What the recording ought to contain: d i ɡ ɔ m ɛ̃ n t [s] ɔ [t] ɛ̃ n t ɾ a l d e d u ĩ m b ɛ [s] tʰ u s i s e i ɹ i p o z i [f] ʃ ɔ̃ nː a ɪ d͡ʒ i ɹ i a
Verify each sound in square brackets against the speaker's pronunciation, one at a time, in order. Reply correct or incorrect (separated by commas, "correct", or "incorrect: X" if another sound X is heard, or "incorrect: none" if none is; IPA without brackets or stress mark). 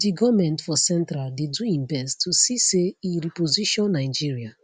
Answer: incorrect: f, incorrect: s, correct, incorrect: none